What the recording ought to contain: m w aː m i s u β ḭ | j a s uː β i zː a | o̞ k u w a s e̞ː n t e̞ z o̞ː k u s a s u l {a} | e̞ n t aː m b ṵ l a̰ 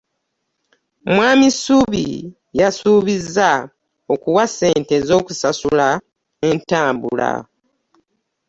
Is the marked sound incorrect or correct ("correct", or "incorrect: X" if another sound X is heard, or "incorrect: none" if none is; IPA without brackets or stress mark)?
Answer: correct